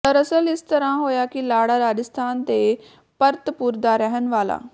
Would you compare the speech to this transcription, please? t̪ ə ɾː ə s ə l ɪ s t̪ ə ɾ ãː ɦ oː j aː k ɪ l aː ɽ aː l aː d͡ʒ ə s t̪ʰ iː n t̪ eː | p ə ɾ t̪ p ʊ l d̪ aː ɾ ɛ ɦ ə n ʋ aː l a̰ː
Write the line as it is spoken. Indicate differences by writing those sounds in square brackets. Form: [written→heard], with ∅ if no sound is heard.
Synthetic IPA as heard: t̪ ə [ɾː→ɾ] ə s ə l ɪ s t̪ ə ɾ ãː ɦ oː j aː k ɪ l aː ɽ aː [l→ɾ] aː d͡ʒ ə s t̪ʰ [iː→aː] n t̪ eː | p ə ɾ t̪ p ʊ [l→ɾ] d̪ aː ɾ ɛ ɦ ə n ʋ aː l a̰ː